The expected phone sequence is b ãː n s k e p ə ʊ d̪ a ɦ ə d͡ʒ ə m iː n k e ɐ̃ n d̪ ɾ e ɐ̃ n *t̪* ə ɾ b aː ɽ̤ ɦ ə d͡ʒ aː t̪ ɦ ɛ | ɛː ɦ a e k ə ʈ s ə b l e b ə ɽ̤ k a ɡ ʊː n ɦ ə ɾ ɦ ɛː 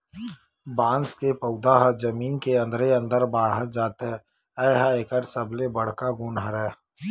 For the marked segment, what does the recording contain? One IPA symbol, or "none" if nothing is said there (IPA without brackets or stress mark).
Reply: d̪